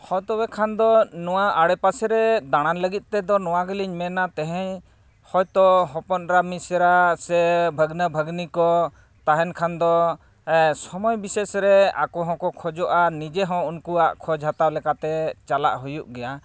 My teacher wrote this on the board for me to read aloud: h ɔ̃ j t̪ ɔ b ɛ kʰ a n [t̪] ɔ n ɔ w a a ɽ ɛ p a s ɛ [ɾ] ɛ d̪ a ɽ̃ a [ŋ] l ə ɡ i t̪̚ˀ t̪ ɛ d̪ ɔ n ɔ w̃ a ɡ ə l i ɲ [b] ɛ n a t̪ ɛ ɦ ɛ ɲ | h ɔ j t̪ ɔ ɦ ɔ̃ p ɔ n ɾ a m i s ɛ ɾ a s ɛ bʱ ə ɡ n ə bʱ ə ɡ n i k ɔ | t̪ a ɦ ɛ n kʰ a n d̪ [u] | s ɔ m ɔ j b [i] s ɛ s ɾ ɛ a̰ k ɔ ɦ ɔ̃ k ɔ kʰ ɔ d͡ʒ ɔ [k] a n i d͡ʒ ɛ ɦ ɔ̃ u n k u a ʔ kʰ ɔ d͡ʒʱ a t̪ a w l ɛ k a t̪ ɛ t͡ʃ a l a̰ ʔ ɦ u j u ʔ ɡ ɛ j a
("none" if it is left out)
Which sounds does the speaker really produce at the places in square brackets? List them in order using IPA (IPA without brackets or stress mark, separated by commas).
d̪, ɾ, n, m, ɔ, i, ʔ